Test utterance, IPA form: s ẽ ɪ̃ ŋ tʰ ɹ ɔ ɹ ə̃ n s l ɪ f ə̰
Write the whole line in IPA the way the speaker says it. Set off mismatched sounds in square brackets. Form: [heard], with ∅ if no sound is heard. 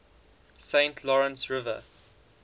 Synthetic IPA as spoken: s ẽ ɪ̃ [n] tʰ [l] ɔ ɹ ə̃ n s [ɹ] ɪ [v] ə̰